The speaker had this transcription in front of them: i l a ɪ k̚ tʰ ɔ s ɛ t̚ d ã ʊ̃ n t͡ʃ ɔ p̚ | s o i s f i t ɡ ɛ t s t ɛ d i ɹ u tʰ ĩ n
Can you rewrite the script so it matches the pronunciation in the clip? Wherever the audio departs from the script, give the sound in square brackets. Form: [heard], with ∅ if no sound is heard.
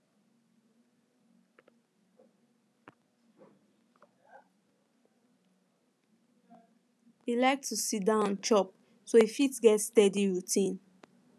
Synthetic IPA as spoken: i l a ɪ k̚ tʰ [u] s [i] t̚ d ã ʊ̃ n t͡ʃ ɔ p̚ | s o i [∅] f i t ɡ ɛ t s t ɛ d i ɹ u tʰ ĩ n

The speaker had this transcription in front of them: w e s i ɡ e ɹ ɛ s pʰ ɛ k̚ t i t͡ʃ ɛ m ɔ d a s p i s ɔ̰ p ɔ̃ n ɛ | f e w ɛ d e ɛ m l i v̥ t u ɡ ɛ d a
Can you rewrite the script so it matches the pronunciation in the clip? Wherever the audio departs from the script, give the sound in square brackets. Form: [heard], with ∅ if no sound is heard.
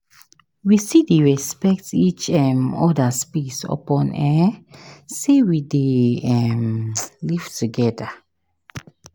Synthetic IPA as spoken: w [i] s i [d] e ɹ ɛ s [p] ɛ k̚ t i t͡ʃ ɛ m ɔ d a s p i s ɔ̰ p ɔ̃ n ɛ | [s] e w [i] d e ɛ m l i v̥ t u ɡ ɛ d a

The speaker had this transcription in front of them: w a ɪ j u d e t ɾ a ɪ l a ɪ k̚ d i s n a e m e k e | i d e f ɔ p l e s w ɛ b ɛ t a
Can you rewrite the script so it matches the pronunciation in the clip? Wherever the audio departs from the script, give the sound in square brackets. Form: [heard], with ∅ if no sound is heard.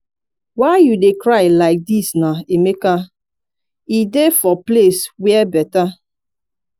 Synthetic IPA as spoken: w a ɪ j u d e [k] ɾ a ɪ l a ɪ k̚ d i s n a e m e k [a] | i d e f ɔ p l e s w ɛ b ɛ t a

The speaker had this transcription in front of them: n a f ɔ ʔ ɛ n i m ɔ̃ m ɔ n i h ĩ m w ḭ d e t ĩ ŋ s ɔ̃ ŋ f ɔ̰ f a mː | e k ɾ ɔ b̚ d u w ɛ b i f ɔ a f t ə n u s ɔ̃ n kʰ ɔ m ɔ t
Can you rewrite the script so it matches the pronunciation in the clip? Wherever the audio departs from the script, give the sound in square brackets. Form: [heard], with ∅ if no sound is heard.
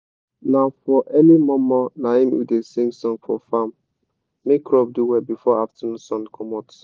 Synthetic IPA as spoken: n a f ɔ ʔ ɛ n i m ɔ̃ m ɔ n [a] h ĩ m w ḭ d e [s] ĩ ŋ s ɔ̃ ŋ f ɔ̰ f a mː | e k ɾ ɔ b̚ d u w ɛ b i f ɔ a f t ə n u s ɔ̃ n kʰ ɔ m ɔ t

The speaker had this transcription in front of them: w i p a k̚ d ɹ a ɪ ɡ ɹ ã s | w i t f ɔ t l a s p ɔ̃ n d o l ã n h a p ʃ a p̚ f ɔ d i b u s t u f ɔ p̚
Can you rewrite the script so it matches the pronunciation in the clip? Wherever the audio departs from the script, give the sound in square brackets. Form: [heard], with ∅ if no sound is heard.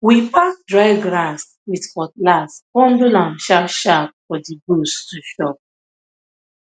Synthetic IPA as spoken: w i p a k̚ d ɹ a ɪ ɡ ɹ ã s | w i t f ɔ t l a s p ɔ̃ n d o l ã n [ʃ] a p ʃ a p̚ f ɔ d i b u s t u [ʃ] ɔ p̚

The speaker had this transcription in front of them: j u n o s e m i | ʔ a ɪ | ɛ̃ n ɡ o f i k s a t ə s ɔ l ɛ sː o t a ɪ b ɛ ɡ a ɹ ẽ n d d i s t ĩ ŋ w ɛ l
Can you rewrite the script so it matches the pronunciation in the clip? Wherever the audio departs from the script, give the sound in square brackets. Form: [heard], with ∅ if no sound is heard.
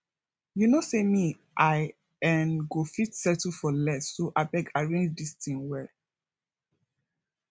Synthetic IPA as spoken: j u n o s e m i | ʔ a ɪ | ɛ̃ n ɡ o f i [t] s [ɛ] t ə [f] ɔ l ɛ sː o [ʔ] a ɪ b ɛ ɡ a ɹ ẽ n [d͡ʒ] d i s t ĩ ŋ w ɛ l

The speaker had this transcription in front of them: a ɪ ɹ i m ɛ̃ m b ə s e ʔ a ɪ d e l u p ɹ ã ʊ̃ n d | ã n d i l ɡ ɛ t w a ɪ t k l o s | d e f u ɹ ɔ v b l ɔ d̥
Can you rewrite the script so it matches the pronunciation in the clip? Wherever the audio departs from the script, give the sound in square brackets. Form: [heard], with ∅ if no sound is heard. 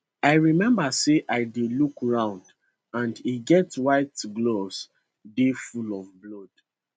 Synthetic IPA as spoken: a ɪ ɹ i m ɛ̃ m b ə s e ʔ a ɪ d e l u [k] ɹ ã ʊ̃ n d | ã n d i [∅] ɡ ɛ t w a ɪ t [ɡ] l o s | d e f u [l] ɔ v b l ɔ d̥

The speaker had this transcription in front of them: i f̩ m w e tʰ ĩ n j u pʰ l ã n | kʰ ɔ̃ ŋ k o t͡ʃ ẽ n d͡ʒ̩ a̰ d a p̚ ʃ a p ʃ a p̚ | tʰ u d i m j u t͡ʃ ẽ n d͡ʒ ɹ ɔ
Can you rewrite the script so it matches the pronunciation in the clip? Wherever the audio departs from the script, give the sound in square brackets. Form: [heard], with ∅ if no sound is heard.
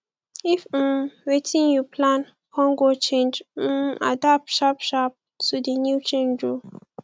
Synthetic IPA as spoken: i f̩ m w e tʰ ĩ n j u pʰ l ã n | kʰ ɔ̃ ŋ [ɡ] o t͡ʃ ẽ n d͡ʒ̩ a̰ d a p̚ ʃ a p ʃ a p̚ | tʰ u d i [n] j u t͡ʃ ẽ n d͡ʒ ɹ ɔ

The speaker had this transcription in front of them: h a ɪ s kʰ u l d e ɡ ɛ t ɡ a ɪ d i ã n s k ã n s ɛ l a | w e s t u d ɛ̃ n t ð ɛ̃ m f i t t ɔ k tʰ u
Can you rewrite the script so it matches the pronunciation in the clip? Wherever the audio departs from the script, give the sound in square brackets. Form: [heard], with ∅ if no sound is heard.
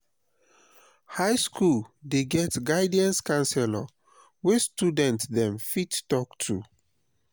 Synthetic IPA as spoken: h a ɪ s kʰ u l d e ɡ ɛ t ɡ a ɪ d i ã n s k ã n s ɛ l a | w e s t u d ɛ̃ n t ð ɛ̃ m f i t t ɔ k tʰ u

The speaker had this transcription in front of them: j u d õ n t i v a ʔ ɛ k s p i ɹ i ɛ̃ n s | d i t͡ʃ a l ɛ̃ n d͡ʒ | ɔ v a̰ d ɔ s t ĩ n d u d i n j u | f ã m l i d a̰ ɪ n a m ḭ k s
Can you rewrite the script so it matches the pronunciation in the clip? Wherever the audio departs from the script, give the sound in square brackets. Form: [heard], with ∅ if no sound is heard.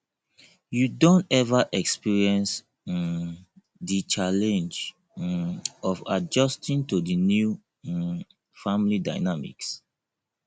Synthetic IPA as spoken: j u d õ n t [ɛ] v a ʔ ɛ k s p i ɹ i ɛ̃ n s | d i t͡ʃ a l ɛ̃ n d͡ʒ | ɔ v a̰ [d͡ʒ] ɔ s t ĩ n [t] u d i n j u | f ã m l i d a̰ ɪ n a m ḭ k s

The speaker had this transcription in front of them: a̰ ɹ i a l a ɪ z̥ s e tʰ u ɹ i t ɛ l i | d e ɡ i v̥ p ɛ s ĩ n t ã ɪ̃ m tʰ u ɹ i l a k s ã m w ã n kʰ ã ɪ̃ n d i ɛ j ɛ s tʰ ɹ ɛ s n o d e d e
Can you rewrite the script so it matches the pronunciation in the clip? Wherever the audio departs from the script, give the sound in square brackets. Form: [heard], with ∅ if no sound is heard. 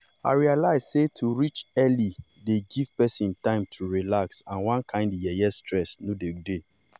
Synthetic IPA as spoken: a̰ ɹ i a l a ɪ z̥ s e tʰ u ɹ i [t͡ʃ] ɛ l i | d e ɡ i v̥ p ɛ s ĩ n t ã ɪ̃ m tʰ u ɹ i l a k s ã [n] w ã n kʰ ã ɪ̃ n d [j] ɛ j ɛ s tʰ ɹ ɛ s n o d e d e

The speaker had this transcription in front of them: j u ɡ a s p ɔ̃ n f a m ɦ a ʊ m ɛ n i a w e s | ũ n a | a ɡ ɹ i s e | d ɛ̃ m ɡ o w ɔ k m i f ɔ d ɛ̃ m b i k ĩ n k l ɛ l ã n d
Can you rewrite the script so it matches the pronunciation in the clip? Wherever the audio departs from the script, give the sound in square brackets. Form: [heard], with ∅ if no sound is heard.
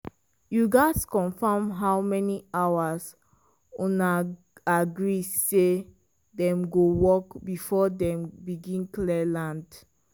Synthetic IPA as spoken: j u ɡ a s [k] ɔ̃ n f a m ɦ a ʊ m ɛ n i a w [a] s | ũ n a | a ɡ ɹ i s e | d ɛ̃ m ɡ o w ɔ k [b] i f ɔ d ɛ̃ m b i [ɡ] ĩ n k l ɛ l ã n d

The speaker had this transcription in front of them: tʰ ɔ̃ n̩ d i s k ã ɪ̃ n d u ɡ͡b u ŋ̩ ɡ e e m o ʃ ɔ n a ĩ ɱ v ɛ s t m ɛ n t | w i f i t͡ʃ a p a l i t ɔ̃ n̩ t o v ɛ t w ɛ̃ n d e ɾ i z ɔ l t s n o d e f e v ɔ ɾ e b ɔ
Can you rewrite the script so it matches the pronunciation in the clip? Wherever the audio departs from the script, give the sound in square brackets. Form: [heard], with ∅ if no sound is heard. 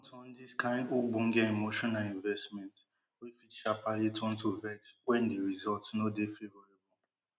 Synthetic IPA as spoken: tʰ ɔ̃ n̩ d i s k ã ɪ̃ n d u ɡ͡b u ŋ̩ ɡ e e m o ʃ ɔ n a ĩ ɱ v ɛ s t m ɛ n t | w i f i t͡ʃ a p a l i t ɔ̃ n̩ t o v ɛ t w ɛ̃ n d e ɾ i z ɔ l t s n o d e f e v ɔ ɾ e b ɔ

